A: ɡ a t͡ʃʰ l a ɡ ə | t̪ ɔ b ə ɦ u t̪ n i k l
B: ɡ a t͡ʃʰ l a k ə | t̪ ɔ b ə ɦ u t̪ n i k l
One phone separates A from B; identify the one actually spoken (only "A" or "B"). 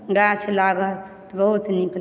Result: A